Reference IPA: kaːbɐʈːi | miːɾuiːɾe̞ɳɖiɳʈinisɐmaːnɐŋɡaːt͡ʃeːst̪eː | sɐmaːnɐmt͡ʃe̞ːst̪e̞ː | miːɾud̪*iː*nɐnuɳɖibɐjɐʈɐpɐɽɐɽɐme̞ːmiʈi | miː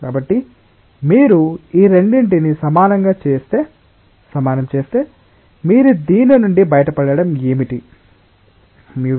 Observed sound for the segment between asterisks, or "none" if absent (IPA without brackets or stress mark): iː